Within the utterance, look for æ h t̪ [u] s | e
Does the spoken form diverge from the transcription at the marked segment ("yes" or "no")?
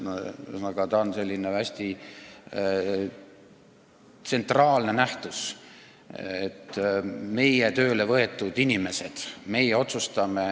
no